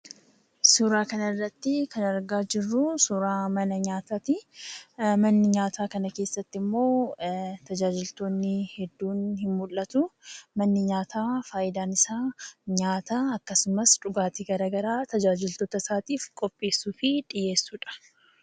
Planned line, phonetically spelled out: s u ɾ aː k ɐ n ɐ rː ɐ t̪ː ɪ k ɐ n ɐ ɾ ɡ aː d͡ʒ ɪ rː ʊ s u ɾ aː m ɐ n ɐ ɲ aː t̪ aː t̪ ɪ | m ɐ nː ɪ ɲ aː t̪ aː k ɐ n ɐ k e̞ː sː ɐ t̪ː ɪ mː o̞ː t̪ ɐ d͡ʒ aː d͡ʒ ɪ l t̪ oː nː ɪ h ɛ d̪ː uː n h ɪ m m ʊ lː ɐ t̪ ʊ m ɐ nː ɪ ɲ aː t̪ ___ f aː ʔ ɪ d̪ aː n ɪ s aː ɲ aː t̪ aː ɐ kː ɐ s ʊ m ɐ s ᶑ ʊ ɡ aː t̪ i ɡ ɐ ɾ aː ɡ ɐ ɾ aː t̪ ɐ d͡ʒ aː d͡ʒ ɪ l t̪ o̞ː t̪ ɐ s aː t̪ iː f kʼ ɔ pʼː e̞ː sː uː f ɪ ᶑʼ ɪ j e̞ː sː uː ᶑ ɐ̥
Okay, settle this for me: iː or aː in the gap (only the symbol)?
aː